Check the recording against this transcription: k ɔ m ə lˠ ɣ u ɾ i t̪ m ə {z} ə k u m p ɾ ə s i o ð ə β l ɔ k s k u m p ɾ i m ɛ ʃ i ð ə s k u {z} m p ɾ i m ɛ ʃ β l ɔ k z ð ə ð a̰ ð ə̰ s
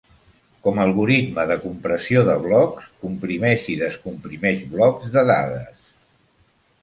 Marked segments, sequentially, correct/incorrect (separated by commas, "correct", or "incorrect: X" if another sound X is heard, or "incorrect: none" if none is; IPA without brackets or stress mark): incorrect: ð, incorrect: none